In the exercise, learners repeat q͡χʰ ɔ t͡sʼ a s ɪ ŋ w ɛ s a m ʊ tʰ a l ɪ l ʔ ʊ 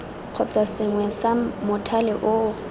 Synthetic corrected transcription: q͡χʰ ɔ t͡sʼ a s ɪ ŋ w ɛ s a m ʊ tʰ a l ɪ ʔ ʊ